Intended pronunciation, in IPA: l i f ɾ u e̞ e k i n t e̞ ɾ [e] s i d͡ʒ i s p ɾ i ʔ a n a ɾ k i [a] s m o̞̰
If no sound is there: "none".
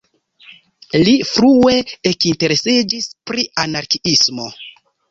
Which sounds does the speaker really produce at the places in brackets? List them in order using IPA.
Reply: e, i

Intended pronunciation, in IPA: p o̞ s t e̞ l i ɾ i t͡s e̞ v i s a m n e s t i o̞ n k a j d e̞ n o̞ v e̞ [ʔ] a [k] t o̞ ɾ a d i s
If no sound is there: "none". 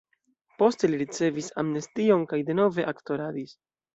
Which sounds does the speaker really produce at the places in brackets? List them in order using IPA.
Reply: ʔ, k

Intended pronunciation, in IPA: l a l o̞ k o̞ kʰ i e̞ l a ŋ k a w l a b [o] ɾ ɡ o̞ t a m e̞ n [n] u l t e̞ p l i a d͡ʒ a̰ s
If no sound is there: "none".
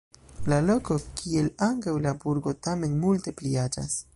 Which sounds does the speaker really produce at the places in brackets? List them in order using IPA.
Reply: u, m

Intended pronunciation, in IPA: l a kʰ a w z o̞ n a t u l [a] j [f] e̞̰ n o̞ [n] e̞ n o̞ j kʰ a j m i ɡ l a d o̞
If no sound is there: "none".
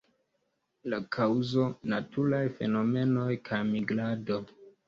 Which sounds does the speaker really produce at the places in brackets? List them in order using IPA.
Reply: a, f, m

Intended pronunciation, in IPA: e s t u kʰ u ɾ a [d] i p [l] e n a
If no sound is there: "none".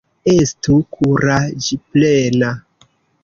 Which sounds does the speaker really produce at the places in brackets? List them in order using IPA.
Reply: d͡ʒ, l

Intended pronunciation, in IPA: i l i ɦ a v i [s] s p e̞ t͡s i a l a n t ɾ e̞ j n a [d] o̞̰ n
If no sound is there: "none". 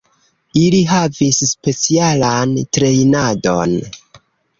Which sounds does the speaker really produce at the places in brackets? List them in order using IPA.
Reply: s, d

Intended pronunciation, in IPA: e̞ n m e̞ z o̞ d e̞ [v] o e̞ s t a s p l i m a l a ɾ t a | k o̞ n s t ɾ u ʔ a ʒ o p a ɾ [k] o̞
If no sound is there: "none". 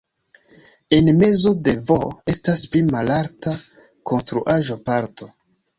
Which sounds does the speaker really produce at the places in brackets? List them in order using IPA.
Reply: v, t

